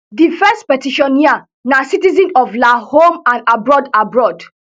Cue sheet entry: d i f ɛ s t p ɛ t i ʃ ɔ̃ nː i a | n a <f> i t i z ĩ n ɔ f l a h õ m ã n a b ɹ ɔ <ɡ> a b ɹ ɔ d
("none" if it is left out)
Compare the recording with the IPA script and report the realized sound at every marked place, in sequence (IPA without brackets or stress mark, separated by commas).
s, d